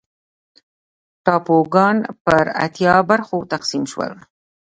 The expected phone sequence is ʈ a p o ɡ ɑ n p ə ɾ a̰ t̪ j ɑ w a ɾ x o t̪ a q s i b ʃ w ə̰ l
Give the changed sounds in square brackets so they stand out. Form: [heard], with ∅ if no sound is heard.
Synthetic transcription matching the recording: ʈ [ɑ] p o ɡ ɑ n p ə ɾ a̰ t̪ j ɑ [b] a ɾ x o t̪ a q s i [m] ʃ w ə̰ l